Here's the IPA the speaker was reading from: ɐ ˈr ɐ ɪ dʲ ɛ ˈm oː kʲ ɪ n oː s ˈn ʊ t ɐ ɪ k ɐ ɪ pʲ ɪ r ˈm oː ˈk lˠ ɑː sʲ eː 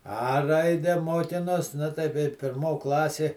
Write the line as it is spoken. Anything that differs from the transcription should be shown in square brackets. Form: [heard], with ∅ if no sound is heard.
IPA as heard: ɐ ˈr ɐ ɪ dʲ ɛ ˈm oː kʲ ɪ n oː s ˈn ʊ t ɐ ɪ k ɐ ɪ pʲ ɪ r ˈm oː ˈk lˠ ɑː sʲ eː